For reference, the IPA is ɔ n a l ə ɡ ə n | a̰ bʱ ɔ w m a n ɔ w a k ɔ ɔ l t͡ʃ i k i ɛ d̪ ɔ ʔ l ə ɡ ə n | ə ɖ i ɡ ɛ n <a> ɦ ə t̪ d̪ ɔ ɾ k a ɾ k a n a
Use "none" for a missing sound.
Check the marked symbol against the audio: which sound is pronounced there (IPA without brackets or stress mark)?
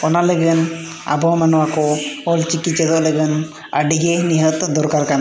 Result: i